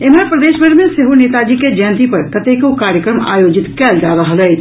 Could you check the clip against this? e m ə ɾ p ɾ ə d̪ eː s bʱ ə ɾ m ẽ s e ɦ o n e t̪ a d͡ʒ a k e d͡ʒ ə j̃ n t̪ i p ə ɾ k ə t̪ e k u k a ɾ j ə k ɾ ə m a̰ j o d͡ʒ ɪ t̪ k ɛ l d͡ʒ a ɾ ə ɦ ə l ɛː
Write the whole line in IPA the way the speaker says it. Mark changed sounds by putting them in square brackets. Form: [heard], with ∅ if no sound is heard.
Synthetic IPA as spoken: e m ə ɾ p ɾ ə d̪ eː [ʃ] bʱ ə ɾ m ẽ s e ɦ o n e t̪ a d͡ʒ [i] k e d͡ʒ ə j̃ n t̪ i p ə ɾ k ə t̪ e k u k a ɾ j ə k ɾ ə m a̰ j o d͡ʒ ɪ t̪ k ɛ l d͡ʒ a ɾ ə ɦ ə l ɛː